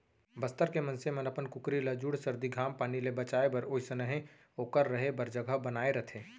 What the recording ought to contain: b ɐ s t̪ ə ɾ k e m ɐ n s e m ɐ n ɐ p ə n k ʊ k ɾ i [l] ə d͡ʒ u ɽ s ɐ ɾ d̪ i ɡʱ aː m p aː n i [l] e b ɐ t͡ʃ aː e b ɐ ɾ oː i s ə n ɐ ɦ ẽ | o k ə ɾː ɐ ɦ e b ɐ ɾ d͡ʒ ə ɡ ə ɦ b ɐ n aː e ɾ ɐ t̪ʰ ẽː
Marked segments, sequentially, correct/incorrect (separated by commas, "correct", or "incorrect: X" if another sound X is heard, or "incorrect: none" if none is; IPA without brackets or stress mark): correct, correct